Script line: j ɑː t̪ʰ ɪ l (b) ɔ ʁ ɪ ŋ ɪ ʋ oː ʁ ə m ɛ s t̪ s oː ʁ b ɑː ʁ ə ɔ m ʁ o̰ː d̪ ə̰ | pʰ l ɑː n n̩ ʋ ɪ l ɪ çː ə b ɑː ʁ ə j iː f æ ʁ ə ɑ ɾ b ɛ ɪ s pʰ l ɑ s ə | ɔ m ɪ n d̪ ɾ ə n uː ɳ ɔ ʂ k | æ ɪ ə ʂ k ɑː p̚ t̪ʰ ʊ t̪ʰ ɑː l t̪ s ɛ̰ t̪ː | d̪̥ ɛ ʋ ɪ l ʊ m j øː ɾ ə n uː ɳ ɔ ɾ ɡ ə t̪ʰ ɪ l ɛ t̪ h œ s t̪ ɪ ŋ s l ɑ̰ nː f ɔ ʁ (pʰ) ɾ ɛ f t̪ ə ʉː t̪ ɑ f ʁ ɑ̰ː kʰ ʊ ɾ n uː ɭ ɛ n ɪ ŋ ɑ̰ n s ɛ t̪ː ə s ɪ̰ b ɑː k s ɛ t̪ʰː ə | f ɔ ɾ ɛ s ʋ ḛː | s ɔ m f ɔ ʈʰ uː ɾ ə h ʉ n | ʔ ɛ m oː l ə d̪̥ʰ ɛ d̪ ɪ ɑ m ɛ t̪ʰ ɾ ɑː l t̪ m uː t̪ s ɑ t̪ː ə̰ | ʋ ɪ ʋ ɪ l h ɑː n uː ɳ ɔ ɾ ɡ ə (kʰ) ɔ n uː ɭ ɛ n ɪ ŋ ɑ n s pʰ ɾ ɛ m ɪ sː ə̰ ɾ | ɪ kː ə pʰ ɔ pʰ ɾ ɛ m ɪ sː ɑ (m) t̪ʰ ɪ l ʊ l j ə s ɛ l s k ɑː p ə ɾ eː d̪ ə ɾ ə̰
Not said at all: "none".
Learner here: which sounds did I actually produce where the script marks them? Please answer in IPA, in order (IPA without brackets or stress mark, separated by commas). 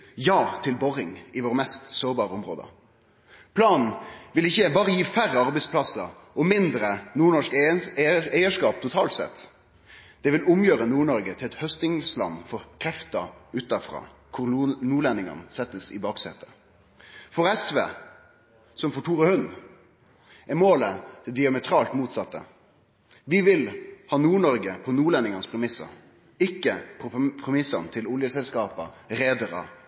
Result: b, kʰ, pʰ, n